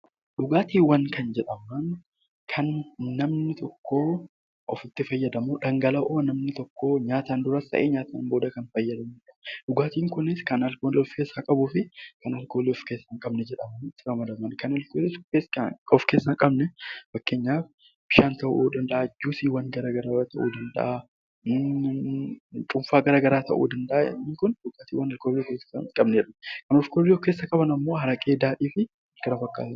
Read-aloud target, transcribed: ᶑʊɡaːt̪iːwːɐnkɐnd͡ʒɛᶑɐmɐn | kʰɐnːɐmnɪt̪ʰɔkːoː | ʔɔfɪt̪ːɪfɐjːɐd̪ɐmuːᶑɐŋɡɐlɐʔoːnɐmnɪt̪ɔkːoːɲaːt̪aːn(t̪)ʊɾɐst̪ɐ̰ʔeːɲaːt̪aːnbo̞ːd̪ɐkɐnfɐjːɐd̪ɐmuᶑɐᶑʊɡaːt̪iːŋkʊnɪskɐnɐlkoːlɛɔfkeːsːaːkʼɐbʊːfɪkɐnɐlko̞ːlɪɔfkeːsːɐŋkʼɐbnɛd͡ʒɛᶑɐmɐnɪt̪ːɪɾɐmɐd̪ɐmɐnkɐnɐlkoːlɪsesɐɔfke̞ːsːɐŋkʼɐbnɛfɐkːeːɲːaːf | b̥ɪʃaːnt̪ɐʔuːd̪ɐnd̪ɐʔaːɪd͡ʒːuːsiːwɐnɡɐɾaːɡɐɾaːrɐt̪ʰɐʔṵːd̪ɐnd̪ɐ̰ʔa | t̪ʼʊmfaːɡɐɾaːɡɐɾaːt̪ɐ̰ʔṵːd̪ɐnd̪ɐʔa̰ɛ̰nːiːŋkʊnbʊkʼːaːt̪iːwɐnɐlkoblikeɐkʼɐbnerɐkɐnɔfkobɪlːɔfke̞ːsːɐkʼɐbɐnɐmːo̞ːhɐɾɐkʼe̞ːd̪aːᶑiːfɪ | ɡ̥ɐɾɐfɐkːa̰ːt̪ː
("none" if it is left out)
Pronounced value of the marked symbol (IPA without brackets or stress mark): d̪